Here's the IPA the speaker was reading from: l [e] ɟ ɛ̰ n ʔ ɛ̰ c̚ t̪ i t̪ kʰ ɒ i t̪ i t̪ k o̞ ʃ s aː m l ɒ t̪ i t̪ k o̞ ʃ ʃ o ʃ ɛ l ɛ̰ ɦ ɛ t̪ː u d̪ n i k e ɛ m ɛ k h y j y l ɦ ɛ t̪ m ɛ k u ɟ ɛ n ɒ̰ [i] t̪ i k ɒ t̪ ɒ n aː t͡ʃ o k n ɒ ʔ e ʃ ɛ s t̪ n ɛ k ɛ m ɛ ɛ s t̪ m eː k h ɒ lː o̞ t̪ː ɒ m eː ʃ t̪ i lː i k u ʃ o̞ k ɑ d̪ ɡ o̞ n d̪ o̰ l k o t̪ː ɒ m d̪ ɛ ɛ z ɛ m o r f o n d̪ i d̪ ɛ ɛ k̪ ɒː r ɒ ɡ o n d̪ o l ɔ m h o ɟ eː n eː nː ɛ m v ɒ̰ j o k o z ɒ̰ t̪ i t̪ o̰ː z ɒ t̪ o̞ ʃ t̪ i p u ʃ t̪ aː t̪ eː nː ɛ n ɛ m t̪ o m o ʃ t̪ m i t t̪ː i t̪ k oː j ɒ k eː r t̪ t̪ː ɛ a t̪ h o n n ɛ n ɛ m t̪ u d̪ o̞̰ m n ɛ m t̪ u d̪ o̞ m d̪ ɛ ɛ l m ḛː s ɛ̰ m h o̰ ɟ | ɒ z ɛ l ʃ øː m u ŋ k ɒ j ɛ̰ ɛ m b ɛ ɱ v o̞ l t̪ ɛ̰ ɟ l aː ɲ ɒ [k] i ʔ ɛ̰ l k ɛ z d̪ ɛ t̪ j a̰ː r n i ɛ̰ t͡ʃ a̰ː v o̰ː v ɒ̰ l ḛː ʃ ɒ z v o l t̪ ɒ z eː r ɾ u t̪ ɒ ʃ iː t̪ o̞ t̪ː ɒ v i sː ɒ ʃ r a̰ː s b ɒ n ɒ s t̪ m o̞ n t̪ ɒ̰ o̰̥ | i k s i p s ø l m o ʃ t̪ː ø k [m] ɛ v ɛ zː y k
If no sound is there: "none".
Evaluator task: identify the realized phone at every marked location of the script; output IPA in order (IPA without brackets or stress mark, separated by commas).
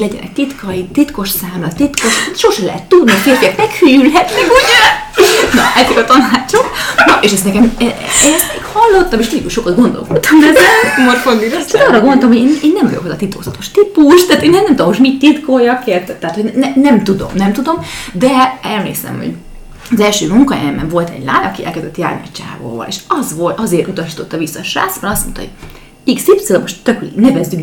ɛ, ɛ, k, n